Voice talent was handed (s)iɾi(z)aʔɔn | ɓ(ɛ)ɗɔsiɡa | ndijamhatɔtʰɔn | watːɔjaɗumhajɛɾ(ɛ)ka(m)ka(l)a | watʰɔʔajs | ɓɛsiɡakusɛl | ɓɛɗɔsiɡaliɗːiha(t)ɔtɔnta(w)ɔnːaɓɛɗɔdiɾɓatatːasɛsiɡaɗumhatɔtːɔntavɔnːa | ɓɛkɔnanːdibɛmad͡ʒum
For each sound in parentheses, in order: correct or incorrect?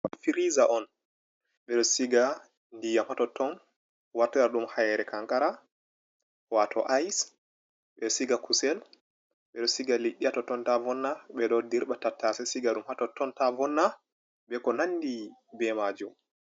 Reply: incorrect, correct, correct, correct, incorrect, incorrect, correct, incorrect

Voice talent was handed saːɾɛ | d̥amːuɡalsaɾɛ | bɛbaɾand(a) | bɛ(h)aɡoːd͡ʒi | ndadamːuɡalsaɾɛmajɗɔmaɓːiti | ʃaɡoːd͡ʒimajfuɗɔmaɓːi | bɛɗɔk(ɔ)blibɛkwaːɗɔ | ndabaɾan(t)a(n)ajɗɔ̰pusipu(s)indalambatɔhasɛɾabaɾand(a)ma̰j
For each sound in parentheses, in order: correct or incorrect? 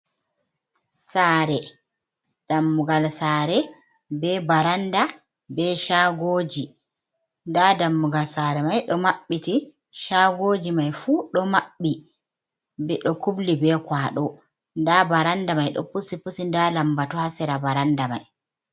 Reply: correct, incorrect, incorrect, incorrect, incorrect, correct, correct

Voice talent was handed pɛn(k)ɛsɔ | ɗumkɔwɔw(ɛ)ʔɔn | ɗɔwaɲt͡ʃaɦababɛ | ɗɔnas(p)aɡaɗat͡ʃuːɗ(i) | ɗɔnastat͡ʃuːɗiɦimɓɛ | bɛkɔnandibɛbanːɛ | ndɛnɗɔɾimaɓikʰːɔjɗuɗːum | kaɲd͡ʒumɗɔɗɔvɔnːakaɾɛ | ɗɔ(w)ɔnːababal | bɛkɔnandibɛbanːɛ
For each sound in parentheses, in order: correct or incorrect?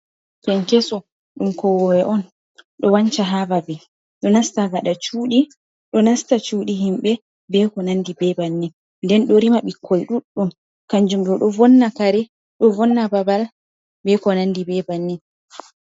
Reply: correct, correct, incorrect, correct, incorrect

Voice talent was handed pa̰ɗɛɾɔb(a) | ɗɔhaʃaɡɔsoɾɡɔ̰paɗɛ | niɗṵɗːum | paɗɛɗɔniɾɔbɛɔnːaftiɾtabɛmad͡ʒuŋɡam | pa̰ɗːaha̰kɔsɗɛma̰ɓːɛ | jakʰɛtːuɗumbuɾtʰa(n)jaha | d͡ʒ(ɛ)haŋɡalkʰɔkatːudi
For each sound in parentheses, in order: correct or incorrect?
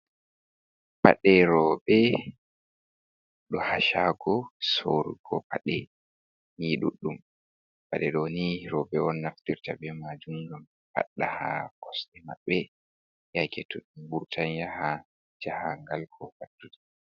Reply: incorrect, correct, incorrect

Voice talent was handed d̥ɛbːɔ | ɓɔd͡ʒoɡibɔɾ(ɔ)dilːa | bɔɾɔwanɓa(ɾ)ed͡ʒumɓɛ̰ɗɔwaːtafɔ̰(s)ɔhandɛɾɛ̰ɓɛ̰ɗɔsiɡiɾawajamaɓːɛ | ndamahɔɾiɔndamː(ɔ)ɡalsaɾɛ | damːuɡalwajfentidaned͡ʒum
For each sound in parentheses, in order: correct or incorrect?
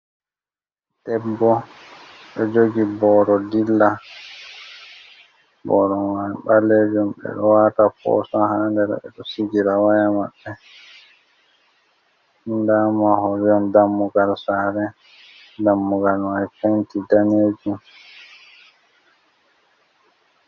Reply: correct, incorrect, correct, incorrect

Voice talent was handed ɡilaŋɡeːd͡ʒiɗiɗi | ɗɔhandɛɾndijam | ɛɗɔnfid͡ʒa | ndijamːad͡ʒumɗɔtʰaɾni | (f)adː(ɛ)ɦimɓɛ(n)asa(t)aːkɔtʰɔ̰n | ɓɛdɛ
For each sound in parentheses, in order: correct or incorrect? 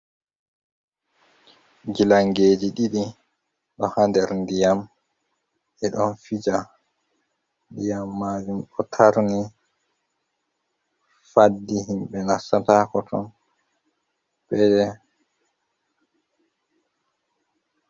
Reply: correct, incorrect, correct, correct

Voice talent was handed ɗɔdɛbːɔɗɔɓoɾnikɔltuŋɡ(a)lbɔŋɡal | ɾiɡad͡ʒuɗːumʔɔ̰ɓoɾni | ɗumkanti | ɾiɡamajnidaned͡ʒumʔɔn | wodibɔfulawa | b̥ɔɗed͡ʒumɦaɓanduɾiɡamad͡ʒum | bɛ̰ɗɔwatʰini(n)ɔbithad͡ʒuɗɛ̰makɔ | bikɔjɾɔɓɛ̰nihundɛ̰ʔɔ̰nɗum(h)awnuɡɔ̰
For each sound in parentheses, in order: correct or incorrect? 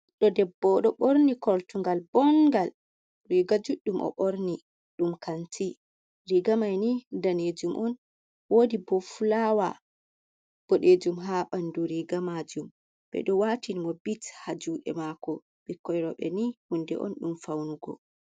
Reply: correct, incorrect, incorrect

